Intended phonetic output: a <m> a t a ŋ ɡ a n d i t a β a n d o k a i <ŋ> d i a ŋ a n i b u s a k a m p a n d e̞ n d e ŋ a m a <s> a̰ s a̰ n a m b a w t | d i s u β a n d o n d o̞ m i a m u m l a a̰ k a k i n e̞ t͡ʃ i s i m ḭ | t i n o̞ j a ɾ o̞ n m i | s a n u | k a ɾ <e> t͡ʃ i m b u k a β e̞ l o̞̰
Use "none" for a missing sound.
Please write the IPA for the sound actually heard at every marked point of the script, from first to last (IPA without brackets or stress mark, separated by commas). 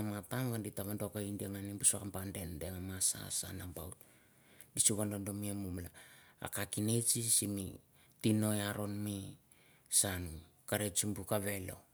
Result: m, n, s, e